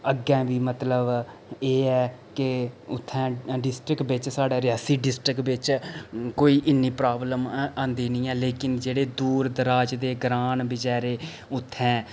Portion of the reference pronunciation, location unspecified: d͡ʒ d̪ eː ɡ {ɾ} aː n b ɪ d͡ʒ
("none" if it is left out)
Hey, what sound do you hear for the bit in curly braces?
ɾ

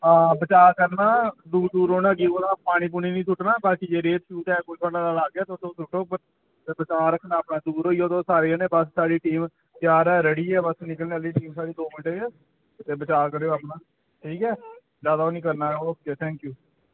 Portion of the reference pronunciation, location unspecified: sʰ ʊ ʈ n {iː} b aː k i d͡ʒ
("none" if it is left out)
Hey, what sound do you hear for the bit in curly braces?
aː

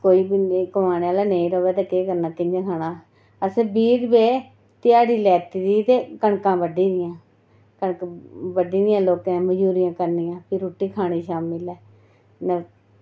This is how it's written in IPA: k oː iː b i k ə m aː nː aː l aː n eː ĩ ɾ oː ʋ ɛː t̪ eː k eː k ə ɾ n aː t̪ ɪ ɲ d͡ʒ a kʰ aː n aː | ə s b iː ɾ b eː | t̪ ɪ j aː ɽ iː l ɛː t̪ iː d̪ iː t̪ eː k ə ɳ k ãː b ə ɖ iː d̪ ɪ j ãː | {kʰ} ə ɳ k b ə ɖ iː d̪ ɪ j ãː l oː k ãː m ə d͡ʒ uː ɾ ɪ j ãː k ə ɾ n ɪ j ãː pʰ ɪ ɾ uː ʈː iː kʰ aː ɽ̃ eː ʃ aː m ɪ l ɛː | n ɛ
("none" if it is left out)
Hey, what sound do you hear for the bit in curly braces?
k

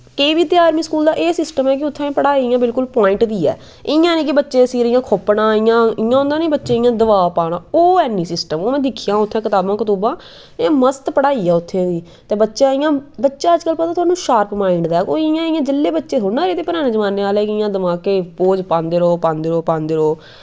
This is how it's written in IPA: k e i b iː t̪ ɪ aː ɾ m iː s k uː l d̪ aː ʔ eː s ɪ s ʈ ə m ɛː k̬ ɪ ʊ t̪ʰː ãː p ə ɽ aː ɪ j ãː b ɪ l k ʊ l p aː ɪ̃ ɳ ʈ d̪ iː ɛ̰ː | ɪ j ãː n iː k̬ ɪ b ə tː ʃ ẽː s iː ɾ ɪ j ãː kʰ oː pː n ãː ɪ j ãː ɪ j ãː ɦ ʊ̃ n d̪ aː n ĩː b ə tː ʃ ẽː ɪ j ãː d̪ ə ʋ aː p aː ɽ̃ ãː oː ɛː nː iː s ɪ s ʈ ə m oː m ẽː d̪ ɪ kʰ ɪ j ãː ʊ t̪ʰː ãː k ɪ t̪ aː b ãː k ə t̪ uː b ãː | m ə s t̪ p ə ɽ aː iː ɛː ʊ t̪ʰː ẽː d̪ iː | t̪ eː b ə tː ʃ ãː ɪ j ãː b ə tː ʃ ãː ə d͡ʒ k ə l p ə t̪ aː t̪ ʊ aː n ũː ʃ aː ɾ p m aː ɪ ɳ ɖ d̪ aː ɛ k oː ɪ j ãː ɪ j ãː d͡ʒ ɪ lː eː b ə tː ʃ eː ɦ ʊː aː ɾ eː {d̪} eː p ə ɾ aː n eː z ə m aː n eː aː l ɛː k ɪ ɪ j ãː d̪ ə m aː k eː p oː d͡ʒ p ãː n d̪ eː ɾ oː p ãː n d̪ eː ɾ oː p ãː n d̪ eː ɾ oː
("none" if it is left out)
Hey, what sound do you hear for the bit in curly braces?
t̪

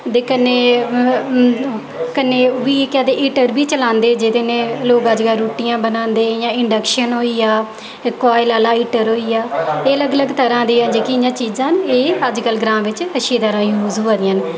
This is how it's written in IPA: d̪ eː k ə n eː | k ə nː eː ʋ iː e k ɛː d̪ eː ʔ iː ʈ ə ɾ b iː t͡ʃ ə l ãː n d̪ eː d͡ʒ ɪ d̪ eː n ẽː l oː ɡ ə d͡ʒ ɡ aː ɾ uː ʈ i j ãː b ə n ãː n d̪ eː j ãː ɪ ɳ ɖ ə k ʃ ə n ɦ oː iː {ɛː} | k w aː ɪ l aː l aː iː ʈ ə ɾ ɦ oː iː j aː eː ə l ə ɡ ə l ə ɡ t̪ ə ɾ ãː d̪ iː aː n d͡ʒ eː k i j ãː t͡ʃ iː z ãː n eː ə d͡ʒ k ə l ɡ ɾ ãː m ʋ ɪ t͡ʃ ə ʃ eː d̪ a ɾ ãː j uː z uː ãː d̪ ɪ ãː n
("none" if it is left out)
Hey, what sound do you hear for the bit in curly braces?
aː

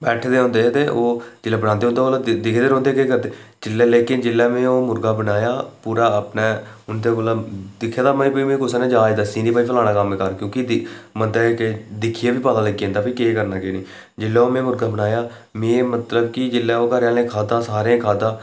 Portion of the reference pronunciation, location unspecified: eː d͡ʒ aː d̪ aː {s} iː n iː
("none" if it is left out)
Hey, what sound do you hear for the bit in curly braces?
s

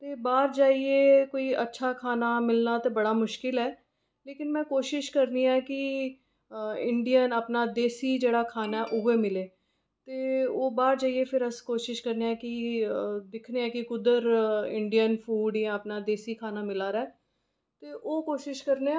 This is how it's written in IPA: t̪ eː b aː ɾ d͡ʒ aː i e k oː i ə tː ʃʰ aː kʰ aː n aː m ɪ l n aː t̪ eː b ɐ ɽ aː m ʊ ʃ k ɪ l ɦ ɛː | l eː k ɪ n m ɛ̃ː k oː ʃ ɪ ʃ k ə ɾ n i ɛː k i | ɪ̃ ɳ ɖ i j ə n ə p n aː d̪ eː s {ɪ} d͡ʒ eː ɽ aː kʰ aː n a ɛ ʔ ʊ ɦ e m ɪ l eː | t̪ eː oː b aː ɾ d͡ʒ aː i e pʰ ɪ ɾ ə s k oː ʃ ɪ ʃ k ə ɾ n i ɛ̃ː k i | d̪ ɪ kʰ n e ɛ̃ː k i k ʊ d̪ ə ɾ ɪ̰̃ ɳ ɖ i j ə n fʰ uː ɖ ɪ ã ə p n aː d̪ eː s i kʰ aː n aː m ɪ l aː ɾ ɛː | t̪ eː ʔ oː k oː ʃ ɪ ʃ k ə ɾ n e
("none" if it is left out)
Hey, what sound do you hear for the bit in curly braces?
i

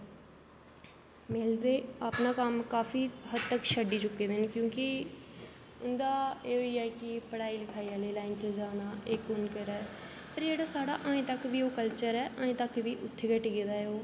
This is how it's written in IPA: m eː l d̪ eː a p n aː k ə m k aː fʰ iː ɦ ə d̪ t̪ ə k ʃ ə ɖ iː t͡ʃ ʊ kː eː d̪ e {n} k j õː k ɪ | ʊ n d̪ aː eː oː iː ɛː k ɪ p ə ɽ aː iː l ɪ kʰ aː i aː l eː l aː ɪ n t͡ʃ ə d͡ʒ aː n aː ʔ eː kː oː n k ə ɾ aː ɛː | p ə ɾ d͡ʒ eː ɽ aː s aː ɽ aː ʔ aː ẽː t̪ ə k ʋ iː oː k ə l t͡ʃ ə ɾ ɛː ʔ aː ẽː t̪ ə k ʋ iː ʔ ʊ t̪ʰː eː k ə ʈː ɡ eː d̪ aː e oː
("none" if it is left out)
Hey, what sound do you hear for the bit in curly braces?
n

